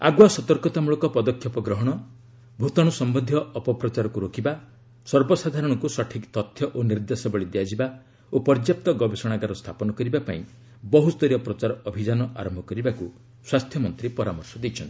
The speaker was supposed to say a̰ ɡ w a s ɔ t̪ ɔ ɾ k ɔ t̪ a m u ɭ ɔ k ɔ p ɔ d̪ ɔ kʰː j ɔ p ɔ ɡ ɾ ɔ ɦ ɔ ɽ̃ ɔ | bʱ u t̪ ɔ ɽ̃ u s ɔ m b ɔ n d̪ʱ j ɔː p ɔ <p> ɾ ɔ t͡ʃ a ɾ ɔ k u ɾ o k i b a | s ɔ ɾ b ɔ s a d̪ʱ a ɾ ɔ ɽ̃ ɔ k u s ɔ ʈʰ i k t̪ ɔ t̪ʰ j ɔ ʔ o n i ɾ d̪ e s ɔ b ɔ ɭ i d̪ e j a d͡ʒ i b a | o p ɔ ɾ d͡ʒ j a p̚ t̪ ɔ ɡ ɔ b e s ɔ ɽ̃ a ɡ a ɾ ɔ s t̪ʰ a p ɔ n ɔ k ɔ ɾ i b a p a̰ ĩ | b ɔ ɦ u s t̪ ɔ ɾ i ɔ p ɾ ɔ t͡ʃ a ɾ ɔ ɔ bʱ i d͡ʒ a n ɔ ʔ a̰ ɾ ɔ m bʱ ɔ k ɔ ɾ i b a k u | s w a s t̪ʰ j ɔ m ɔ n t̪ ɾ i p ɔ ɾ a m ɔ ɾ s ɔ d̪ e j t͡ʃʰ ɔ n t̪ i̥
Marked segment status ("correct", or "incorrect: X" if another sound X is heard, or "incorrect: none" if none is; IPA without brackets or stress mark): correct